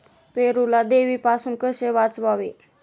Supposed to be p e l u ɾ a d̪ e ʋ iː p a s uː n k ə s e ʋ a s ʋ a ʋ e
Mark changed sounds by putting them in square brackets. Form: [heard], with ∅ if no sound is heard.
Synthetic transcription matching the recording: p e [ɾ] u [l] a d̪ e ʋ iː p a s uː n k ə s e ʋ a [t͡s] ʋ a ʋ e